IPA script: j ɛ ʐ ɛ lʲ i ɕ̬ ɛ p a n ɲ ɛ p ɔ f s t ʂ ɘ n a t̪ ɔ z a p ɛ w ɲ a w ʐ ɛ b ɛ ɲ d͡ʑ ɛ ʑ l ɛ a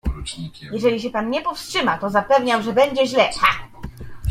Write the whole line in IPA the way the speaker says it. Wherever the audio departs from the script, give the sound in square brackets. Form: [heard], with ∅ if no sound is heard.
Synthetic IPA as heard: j ɛ ʐ ɛ lʲ i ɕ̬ ɛ p a n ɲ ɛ p ɔ f s t ʂ ɘ [m] a t̪ ɔ z a p ɛ [v] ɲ a w ʐ ɛ b ɛ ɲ d͡ʑ ɛ ʑ l ɛ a